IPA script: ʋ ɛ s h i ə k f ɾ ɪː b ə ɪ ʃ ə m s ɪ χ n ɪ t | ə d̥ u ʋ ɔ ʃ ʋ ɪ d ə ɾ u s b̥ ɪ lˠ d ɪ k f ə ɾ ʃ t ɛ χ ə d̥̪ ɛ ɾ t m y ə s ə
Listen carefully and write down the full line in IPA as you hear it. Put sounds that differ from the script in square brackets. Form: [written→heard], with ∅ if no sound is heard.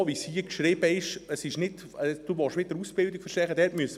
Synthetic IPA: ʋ [ɛ→i] s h i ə k [f→ʃ] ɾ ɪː b ə ɪ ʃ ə [m→∅] s ɪ [χ→ʃ] n ɪ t | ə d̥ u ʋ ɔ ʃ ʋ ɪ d ə ɾ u s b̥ ɪ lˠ d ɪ k f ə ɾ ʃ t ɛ χ ə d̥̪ ɛ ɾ t m y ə s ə